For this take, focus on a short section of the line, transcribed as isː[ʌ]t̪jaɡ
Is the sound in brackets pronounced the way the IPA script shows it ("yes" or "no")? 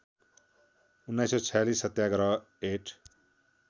yes